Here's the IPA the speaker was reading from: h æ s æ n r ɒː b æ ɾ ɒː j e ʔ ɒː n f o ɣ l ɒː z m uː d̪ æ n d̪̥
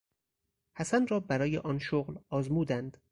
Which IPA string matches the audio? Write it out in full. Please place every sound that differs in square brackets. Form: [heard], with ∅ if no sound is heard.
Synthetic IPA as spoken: h æ s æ n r ɒː b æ ɾ ɒː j e ʔ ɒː n [ʃ] o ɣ l ɒː z m uː d̪ æ n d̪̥